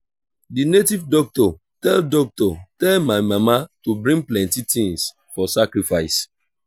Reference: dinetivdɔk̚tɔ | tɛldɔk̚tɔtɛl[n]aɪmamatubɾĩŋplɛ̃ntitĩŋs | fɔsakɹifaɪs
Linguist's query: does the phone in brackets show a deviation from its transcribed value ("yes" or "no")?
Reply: yes